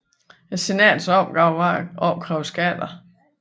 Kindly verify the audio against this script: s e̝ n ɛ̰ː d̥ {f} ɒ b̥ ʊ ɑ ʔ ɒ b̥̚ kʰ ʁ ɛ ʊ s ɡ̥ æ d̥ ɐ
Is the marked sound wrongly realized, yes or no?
yes